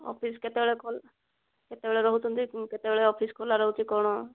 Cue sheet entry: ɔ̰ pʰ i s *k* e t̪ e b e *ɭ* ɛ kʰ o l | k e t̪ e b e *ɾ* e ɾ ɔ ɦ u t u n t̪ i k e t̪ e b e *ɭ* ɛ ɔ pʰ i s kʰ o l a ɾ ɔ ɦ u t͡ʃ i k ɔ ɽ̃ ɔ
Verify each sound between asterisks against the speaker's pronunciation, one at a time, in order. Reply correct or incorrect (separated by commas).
correct, correct, incorrect, correct